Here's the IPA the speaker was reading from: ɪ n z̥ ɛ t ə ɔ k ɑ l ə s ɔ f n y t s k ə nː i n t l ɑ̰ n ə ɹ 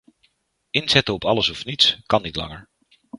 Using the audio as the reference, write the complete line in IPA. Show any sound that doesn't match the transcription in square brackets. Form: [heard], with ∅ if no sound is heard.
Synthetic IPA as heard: ɪ n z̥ ɛ t ə ɔ [p] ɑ l ə s ɔ f n [i] t s k [ɑ] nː i [∅] t l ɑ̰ [ŋ] ə ɹ